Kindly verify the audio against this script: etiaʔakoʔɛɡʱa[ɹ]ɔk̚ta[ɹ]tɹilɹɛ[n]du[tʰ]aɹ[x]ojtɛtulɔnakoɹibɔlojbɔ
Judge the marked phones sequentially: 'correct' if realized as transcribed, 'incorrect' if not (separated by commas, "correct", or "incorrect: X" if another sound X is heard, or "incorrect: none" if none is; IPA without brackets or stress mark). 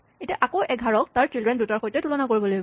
correct, correct, correct, incorrect: t, correct